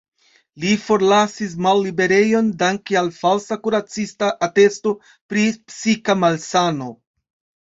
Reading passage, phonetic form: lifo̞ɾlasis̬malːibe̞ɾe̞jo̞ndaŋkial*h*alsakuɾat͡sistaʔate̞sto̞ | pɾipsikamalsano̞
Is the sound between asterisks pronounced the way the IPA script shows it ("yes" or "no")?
no